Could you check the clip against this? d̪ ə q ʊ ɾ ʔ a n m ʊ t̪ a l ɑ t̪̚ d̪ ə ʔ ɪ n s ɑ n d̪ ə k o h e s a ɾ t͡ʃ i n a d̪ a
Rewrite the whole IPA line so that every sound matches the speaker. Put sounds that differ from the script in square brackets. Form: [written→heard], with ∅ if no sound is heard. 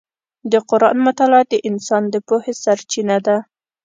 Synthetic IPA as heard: d̪ ə q ʊ ɾ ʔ [a→ɑ] n m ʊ t̪ a l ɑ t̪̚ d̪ ə ʔ ɪ n s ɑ n d̪ ə [k→p] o h e s a ɾ t͡ʃ i n a d̪ a